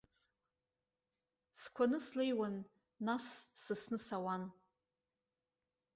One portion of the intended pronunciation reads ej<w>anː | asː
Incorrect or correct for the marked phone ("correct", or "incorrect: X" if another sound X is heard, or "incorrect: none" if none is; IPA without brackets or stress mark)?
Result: correct